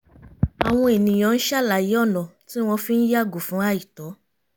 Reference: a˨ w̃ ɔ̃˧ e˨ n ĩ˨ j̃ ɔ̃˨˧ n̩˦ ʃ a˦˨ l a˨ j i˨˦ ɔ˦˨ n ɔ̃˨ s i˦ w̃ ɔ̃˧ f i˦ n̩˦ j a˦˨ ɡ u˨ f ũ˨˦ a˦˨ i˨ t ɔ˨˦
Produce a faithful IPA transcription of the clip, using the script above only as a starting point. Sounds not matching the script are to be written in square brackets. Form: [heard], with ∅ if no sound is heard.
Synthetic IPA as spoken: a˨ w̃ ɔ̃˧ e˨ n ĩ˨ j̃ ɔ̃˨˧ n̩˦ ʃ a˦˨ l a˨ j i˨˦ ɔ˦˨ n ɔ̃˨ [t] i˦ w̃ ɔ̃˧ f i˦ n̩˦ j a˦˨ ɡ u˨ f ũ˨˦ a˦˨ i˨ t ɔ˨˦